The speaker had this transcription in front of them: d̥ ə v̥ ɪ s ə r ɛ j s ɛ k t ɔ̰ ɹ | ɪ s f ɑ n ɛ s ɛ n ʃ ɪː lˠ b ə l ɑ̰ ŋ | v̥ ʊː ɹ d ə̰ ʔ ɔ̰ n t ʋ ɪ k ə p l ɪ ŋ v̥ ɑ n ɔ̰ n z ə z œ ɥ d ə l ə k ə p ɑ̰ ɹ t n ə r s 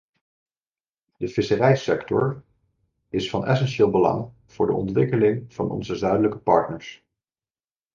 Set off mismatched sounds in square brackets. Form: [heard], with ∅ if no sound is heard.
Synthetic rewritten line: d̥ ə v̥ ɪ s ə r ɛ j s ɛ k t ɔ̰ ɹ | ɪ s f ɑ n ɛ s ɛ n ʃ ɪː lˠ b ə l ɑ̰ ŋ | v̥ ʊː ɹ d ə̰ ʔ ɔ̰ n t ʋ ɪ k ə [∅] l ɪ ŋ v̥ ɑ n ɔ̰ n z ə z œ ɥ d ə l ə k ə p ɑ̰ ɹ t n ə [ɹ] s